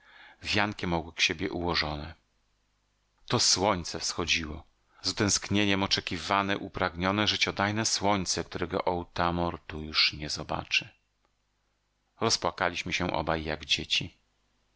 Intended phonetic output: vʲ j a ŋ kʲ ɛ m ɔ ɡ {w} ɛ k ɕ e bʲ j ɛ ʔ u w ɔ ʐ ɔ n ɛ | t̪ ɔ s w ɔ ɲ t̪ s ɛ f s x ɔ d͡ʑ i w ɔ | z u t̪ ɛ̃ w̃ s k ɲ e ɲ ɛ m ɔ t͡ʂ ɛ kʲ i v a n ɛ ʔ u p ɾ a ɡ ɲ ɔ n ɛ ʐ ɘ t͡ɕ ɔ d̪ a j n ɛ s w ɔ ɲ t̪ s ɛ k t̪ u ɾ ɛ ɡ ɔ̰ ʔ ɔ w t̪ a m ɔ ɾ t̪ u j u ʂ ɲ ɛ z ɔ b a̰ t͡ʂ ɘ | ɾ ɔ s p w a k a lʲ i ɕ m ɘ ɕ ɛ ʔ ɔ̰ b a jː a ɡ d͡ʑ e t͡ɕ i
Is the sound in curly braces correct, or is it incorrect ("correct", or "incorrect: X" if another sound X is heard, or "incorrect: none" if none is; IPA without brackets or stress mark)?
correct